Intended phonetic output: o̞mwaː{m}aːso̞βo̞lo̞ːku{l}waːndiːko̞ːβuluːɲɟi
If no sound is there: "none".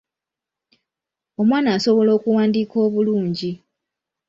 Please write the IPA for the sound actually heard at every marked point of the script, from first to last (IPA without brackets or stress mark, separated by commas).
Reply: n, none